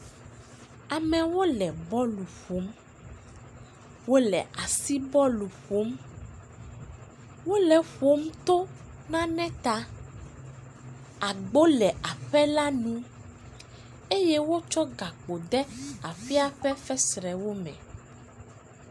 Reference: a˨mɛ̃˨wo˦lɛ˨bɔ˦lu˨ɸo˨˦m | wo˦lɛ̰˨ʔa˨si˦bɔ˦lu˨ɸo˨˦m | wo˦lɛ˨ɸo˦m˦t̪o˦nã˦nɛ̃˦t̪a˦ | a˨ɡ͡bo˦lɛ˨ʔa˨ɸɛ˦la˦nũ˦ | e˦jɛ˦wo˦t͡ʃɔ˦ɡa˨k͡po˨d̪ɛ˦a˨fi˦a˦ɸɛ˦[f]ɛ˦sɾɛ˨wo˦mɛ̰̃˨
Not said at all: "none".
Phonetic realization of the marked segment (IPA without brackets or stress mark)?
f